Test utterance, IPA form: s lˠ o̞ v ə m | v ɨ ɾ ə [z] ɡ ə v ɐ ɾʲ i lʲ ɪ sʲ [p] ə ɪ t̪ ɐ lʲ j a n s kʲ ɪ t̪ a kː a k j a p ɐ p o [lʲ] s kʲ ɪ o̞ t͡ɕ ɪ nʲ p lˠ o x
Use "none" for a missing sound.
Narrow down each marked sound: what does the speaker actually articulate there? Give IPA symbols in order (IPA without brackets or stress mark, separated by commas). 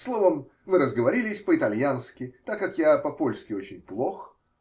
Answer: z, p, lʲ